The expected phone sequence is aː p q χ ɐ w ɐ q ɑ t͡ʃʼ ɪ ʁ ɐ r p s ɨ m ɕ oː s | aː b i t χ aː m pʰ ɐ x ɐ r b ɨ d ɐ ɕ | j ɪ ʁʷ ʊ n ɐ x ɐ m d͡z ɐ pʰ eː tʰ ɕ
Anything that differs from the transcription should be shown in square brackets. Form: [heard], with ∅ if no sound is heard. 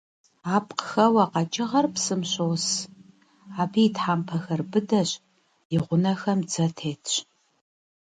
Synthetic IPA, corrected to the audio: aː p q [x] ɐ w ɐ q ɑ t͡ʃʼ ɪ ʁ ɐ r p s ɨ m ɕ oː s | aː b i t [ħ] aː m pʰ ɐ x ɐ r b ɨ d ɐ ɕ | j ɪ ʁʷ ʊ n ɐ x ɐ m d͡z ɐ [tʰ] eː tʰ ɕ